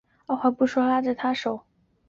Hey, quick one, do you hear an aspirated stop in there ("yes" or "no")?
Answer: yes